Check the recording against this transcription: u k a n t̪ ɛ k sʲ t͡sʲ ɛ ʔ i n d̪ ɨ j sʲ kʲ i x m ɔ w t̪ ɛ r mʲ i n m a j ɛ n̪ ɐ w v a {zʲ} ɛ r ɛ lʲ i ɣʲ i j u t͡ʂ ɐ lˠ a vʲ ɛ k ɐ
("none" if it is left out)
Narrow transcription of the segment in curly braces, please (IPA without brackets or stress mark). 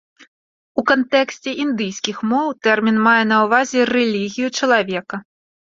zʲ